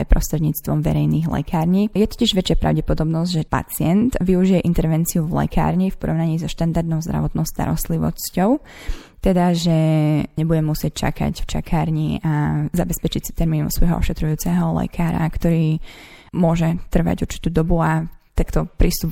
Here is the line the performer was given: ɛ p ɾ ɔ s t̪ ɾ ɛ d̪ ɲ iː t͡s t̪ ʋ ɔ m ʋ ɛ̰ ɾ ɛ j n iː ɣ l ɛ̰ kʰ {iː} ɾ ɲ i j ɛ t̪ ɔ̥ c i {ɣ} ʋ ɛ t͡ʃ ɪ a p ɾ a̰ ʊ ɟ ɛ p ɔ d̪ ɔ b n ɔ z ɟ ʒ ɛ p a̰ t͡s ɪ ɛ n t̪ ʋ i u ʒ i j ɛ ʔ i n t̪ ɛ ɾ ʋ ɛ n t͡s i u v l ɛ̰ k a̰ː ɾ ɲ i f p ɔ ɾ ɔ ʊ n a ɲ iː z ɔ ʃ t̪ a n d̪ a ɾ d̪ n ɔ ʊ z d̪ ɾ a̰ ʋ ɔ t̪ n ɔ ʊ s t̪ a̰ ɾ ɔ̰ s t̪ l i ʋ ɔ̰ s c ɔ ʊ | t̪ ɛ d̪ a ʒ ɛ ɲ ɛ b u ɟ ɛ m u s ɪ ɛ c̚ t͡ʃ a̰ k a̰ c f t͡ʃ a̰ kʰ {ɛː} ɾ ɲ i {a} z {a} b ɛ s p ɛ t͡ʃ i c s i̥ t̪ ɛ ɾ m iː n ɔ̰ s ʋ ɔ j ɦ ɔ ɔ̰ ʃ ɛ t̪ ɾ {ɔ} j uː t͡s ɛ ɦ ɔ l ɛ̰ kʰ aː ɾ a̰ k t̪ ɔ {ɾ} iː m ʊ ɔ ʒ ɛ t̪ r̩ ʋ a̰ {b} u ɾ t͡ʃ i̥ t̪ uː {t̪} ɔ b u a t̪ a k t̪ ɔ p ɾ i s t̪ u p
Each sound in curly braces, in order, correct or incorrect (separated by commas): incorrect, incorrect, incorrect, correct, correct, incorrect, correct, incorrect, incorrect